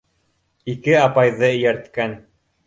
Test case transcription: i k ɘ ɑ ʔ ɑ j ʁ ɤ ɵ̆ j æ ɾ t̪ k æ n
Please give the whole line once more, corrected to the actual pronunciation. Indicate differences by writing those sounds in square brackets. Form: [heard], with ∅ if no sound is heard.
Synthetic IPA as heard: i k ɘ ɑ [p] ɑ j [ð] ɤ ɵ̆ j æ ɾ t̪ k æ n